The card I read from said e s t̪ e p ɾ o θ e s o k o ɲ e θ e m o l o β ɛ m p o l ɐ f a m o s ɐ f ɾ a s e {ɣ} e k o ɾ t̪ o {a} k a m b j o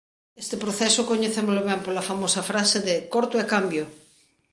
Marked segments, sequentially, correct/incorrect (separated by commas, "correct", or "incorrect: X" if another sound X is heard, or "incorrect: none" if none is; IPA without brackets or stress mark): incorrect: ð, incorrect: e